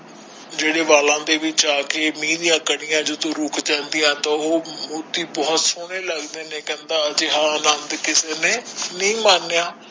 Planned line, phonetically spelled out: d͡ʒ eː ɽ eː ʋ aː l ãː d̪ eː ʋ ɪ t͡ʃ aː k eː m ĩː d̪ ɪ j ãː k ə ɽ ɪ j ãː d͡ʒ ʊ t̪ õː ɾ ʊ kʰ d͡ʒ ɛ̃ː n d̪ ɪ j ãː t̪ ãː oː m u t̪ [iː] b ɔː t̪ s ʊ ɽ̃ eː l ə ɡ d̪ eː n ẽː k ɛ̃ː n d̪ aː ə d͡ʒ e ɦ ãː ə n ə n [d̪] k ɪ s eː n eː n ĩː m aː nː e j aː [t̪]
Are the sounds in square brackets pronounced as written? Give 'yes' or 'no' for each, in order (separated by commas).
yes, yes, no